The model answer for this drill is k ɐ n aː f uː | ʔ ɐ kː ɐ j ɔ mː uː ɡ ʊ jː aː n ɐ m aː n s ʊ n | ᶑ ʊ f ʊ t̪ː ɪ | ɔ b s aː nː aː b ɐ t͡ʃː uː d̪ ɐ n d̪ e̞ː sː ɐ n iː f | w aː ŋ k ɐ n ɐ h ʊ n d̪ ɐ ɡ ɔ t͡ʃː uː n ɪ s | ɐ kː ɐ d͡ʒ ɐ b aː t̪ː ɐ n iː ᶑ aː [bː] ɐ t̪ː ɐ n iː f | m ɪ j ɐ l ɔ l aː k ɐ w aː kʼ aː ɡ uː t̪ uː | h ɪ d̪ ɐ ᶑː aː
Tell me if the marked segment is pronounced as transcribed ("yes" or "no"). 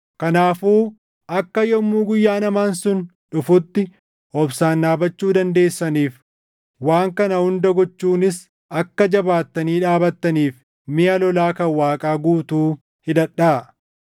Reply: no